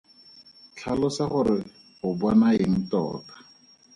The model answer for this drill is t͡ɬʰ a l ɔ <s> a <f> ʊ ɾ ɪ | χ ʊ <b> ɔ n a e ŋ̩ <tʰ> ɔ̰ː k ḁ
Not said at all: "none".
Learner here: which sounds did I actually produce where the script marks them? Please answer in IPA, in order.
s, χ, b, t

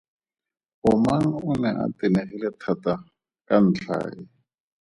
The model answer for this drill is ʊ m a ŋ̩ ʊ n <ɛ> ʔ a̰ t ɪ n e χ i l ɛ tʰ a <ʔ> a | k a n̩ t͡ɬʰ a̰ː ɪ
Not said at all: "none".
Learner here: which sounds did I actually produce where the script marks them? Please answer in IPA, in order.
ɛ, t

